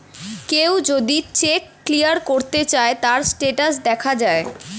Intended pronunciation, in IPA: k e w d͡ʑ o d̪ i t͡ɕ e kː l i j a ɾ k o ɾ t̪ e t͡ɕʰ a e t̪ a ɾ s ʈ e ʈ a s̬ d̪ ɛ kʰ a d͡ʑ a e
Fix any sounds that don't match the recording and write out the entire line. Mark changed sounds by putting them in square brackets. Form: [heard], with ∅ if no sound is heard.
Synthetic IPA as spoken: k e w d͡ʑ o d̪ i t͡ɕ e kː l i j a ɾ k o ɾ t̪ e [t͡ɕ] a e t̪ a ɾ s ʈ e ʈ a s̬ d̪ ɛ kʰ a d͡ʑ a e